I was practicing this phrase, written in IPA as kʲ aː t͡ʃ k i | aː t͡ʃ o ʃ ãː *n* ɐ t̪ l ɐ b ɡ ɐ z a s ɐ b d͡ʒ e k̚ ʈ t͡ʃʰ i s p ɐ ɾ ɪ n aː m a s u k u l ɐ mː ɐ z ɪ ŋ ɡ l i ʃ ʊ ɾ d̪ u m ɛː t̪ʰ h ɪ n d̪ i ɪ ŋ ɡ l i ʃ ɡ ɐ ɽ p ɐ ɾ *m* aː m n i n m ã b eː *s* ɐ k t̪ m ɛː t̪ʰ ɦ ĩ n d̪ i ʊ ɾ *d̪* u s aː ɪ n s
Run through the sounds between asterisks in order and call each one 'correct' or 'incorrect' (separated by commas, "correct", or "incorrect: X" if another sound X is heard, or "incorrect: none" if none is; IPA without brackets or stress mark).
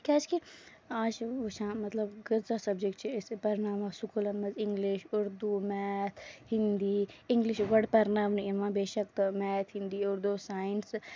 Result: incorrect: m, incorrect: n, incorrect: ʃ, correct